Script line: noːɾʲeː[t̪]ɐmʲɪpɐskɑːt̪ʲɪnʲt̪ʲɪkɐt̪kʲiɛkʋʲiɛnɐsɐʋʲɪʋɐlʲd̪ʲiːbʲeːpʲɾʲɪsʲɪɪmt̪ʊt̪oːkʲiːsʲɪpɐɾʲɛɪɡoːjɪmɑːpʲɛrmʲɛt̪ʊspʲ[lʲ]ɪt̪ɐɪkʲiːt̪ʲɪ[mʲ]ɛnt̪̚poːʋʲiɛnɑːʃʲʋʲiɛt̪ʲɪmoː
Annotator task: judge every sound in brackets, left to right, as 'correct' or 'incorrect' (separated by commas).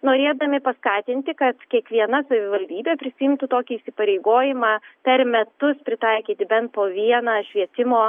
incorrect, incorrect, incorrect